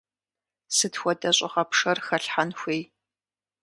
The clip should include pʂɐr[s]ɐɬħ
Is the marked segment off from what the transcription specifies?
yes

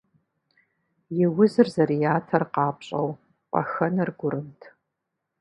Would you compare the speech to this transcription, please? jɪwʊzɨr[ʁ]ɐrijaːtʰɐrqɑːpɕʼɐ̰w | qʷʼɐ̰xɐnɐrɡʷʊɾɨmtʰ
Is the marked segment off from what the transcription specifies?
yes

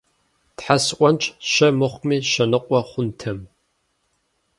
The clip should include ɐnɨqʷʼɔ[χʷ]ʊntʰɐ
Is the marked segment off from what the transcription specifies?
no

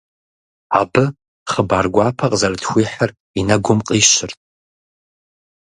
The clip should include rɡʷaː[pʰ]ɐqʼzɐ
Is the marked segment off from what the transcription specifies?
no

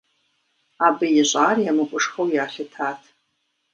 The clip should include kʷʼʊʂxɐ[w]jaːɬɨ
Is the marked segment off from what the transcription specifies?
no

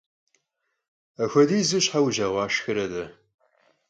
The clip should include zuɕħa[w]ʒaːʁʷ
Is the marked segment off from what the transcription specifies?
no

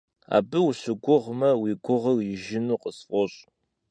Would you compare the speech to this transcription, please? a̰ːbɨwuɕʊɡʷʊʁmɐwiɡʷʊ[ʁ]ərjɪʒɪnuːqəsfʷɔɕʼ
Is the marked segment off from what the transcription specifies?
no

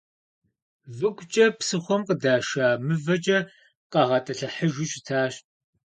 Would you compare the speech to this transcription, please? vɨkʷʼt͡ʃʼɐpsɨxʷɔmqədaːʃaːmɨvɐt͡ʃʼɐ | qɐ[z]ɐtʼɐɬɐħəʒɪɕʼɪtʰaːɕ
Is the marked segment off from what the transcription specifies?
yes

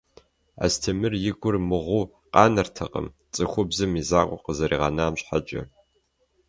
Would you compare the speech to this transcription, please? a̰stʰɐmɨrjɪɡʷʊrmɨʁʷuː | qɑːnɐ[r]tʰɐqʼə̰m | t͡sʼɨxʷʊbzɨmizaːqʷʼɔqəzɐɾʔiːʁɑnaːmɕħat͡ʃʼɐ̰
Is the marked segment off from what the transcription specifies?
no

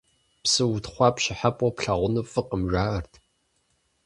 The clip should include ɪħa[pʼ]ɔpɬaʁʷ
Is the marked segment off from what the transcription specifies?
no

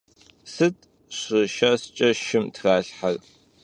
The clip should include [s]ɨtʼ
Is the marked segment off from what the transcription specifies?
no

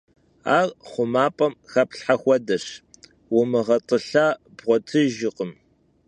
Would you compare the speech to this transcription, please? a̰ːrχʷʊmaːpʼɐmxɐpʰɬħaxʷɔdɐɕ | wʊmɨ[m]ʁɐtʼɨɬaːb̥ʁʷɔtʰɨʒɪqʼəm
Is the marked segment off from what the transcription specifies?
yes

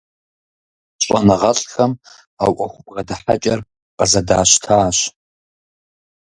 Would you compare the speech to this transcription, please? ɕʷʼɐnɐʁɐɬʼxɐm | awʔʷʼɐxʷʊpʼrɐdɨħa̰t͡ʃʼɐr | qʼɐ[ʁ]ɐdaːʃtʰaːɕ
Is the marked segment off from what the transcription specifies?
yes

